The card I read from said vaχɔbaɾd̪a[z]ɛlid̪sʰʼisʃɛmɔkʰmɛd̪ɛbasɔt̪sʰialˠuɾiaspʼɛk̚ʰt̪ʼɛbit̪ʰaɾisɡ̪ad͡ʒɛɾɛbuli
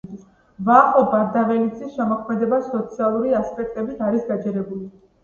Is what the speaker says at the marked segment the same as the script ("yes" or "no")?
no